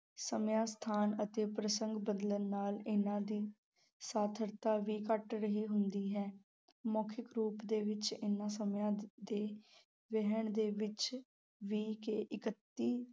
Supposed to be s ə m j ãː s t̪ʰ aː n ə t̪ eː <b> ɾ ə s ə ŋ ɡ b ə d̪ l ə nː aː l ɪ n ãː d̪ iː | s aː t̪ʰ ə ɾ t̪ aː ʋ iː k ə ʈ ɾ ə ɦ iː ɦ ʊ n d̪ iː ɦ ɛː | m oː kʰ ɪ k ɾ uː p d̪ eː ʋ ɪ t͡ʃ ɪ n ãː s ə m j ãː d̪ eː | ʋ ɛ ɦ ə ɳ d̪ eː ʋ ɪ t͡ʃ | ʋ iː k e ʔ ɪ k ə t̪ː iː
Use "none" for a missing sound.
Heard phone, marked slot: p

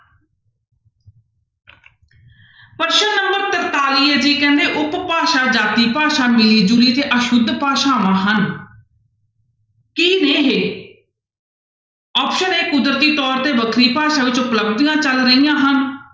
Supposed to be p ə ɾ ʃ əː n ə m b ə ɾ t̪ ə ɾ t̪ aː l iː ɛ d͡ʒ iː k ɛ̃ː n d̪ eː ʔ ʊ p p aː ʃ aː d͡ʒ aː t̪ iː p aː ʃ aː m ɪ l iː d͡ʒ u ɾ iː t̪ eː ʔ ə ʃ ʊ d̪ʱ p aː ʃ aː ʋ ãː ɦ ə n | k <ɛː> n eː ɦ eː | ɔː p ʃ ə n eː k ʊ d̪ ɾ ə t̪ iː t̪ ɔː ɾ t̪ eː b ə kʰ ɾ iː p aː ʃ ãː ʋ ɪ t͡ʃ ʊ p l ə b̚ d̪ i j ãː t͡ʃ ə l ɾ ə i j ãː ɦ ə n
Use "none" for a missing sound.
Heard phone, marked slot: iː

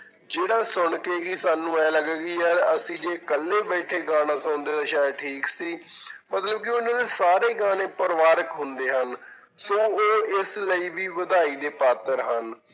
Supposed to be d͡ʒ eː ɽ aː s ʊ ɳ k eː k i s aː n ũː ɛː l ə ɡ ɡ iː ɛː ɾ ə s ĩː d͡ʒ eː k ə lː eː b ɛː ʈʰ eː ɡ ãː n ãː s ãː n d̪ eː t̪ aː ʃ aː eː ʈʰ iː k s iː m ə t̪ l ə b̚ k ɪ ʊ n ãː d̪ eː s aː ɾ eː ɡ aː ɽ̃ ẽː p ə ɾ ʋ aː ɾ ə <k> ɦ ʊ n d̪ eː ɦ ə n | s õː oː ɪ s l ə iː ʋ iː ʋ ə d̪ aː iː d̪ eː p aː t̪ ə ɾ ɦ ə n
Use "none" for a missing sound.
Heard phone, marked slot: k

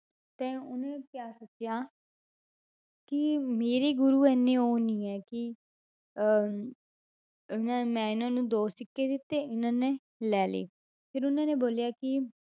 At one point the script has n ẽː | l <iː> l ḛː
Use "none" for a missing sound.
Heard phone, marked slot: ɛː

